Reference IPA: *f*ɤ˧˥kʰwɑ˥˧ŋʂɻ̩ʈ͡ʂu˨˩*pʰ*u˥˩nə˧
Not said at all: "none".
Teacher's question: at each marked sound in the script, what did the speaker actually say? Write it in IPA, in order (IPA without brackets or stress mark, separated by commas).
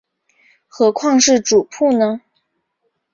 x, pʰ